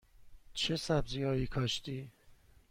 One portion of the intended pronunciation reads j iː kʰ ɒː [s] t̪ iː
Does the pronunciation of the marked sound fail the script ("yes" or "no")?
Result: yes